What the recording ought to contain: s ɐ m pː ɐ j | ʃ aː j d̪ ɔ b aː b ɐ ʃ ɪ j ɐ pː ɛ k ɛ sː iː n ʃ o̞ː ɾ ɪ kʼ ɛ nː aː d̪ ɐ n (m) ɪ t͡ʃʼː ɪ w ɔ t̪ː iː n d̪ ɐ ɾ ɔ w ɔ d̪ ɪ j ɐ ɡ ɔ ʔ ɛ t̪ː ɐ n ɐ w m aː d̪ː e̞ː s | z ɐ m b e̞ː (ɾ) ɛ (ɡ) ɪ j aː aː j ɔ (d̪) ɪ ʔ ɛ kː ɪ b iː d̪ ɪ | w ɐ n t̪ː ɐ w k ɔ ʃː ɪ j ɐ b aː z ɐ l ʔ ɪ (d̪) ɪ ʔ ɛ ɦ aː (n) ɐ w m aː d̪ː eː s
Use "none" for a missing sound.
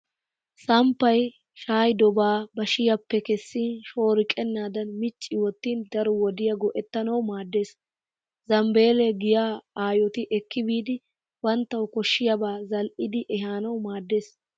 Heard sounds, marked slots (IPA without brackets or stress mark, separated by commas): m, l, ɡ, t̪, d̪, n